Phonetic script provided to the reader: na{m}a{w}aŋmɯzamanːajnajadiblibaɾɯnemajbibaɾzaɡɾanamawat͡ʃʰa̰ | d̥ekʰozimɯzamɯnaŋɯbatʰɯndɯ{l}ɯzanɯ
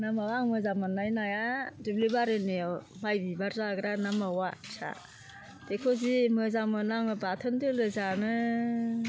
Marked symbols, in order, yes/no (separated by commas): yes, yes, yes